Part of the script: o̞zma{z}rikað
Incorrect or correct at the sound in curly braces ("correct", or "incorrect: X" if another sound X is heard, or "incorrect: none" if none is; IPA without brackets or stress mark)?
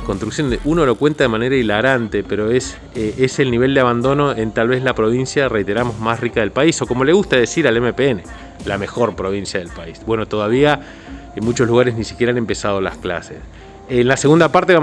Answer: incorrect: s